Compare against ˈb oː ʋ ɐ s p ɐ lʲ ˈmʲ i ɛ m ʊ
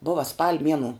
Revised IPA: ˈb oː ʋ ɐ s p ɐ lʲ ˈmʲ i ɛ n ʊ

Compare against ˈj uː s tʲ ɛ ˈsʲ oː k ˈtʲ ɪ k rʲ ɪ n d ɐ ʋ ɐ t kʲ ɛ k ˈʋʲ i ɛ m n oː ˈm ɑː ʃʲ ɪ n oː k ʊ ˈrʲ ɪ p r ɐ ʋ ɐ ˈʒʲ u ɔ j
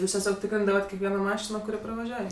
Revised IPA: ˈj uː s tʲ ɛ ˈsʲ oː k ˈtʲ ɪ k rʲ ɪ n d ɐ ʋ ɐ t kʲ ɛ k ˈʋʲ i ɛ n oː ˈm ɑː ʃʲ ɪ n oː k ʊ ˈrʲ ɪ p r ɐ ʋ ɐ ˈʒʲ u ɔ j

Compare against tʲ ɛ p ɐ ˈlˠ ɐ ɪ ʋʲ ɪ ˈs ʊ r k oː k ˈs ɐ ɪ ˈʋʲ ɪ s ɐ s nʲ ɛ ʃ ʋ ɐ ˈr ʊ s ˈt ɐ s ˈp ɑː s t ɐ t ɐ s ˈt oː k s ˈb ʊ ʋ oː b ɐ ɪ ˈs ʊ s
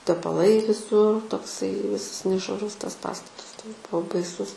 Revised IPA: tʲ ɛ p ɐ ˈlˠ ɐ ɪ ʋʲ ɪ ˈs ʊ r t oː k ˈs ɐ ɪ ˈʋʲ ɪ s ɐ s nʲ ɛ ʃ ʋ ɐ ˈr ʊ s ˈt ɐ s ˈp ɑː s t ɐ t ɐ s ˈt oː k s ˈb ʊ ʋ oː b ɐ ɪ ˈs ʊ s

